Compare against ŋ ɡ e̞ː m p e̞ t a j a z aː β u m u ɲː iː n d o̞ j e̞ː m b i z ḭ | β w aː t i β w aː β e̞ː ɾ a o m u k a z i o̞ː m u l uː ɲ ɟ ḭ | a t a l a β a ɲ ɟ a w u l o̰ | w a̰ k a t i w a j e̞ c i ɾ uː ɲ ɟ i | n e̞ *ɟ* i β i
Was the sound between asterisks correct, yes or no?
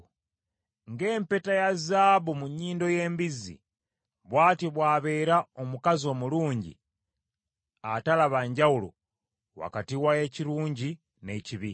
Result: no